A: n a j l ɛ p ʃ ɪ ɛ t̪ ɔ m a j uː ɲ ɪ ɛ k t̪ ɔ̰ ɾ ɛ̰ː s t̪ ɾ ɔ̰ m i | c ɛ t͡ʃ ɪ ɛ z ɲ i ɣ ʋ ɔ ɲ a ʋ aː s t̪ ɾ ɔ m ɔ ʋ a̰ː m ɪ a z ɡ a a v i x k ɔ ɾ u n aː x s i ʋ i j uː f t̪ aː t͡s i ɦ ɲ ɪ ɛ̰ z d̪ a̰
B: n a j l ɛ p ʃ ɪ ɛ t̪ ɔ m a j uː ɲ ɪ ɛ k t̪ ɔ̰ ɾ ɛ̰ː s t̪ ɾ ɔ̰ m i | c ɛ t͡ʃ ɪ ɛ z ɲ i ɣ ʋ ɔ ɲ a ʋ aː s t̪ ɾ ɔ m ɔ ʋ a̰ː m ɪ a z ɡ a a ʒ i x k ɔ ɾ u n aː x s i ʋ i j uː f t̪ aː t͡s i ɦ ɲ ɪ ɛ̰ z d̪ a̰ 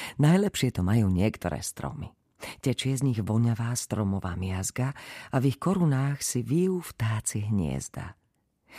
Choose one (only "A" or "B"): A